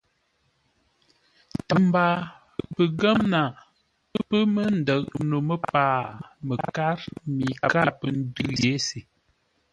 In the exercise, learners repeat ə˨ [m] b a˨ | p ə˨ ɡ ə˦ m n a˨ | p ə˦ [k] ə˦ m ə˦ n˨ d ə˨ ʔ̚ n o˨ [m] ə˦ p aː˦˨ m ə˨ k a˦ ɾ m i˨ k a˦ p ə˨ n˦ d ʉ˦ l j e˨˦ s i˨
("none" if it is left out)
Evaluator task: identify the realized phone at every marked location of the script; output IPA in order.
m, p, m

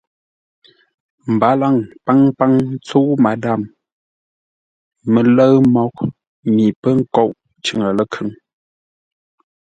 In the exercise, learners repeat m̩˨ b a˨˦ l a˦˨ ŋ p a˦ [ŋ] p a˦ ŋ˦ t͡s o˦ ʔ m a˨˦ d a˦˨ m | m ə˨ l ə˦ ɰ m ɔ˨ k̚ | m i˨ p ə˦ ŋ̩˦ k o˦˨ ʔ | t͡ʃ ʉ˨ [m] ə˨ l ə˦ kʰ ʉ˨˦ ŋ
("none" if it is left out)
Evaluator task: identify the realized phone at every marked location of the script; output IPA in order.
ŋ, ŋ

